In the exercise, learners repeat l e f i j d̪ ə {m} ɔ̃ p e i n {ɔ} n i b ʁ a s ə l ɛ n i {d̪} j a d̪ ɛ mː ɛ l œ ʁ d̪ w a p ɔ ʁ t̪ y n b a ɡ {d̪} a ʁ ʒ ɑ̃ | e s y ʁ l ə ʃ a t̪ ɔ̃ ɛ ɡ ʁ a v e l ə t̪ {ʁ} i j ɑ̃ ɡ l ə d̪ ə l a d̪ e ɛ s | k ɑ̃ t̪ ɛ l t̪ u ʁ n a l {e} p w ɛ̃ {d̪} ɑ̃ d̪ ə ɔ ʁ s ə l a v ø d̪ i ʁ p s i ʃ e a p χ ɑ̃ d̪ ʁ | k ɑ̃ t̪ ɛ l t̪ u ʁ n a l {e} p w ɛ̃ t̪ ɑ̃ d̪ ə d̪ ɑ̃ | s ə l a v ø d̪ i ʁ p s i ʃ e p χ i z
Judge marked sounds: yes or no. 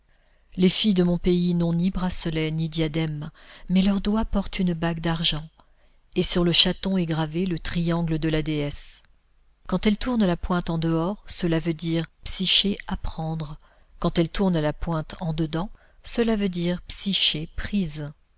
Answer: yes, no, yes, yes, no, no, no, no

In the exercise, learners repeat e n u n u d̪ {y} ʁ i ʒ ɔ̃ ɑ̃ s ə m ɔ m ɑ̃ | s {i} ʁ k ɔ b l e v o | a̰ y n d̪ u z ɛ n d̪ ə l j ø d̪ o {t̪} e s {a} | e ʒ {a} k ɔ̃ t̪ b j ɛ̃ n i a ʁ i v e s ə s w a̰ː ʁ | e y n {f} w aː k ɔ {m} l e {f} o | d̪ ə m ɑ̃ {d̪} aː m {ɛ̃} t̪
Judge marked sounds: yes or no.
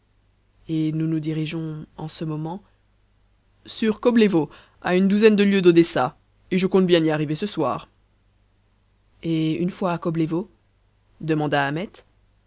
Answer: no, no, no, yes, no, yes, no, no, yes, no

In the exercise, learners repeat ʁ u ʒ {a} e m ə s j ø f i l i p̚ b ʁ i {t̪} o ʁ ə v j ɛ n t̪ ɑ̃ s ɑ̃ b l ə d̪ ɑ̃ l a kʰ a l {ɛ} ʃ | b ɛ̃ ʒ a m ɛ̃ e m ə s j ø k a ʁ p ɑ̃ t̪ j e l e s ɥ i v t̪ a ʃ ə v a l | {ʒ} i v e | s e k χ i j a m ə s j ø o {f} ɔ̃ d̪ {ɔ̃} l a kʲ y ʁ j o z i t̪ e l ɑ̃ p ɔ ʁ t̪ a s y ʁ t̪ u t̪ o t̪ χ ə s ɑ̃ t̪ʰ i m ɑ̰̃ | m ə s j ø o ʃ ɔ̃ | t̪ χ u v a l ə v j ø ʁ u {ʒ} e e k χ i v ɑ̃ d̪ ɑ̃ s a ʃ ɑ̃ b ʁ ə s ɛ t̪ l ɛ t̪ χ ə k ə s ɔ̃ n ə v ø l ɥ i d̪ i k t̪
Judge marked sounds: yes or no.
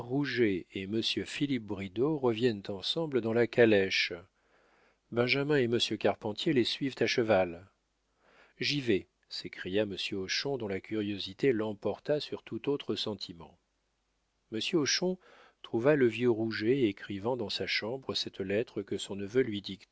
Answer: no, no, yes, yes, no, yes, yes

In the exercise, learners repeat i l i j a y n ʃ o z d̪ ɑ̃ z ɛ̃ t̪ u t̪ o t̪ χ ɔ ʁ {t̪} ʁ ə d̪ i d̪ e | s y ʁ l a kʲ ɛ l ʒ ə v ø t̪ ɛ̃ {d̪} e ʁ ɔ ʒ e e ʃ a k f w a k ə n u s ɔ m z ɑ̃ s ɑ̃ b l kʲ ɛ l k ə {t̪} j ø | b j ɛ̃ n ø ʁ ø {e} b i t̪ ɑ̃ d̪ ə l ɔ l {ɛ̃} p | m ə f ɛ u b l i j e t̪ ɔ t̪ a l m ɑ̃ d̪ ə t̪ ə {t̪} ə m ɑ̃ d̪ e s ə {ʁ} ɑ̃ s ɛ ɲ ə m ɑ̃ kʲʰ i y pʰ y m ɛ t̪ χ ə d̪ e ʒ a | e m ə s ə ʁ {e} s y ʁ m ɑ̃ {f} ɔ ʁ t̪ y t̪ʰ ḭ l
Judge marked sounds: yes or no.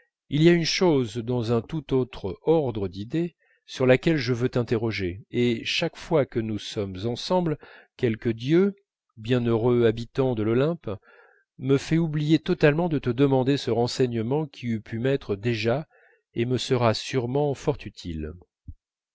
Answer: no, no, no, no, yes, no, yes, no, yes

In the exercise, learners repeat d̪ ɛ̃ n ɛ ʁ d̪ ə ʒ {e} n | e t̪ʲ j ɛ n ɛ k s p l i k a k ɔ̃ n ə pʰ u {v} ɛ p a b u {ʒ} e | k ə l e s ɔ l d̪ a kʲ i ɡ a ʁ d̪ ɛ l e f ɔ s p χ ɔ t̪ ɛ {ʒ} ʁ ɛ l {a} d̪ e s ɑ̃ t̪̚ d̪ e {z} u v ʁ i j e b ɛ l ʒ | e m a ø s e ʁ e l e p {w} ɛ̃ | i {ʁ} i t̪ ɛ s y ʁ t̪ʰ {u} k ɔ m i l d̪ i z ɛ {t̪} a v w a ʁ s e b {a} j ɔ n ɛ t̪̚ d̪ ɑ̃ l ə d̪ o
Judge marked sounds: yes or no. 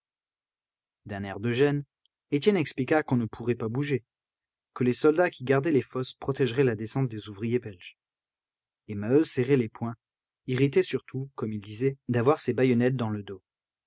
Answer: no, no, yes, yes, yes, yes, yes, yes, yes, no, yes

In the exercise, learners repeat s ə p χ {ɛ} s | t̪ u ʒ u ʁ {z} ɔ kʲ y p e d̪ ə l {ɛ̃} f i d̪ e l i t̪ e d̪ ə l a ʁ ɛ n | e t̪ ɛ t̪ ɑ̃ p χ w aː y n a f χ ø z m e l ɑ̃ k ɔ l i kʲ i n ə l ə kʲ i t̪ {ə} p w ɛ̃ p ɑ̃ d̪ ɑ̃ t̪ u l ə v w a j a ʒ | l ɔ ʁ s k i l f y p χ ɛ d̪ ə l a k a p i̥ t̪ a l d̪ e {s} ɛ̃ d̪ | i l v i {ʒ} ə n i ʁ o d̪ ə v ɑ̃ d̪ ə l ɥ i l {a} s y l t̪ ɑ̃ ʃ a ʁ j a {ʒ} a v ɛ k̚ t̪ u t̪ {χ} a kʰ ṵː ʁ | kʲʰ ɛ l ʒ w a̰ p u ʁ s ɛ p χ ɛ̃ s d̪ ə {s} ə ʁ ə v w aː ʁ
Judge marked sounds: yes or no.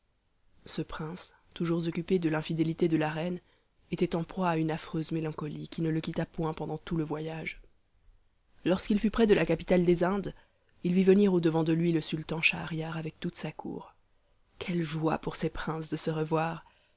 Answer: no, yes, yes, no, no, no, no, no, no, yes

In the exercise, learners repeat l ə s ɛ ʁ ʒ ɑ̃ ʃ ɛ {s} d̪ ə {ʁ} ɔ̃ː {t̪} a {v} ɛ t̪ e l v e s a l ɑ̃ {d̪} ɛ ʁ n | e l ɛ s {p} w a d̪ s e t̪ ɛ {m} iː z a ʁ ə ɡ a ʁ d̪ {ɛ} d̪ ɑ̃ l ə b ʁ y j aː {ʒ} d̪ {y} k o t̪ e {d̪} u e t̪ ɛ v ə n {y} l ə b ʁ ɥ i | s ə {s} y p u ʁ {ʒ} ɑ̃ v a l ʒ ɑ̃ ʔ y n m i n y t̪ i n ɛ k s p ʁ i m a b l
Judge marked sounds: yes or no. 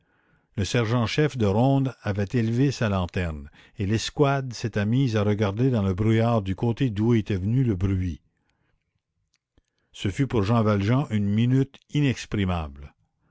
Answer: no, yes, no, yes, no, no, yes, no, no, yes, yes, yes, no, yes

